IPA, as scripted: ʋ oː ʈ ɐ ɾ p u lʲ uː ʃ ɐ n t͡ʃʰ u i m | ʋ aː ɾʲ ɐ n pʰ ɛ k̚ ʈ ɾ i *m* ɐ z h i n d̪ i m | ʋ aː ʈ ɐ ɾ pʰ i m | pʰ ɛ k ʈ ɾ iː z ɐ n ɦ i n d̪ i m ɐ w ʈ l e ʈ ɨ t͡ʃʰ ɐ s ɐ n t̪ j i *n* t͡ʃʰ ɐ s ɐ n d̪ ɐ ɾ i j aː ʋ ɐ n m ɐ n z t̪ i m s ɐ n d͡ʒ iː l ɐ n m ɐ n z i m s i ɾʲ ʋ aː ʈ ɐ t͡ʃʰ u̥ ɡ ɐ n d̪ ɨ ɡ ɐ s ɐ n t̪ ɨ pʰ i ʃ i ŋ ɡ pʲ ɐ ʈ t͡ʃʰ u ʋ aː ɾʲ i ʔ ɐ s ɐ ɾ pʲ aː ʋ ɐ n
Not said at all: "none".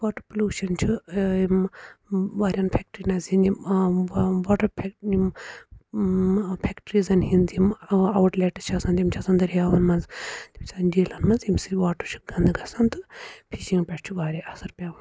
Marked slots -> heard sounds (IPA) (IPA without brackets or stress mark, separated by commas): n, m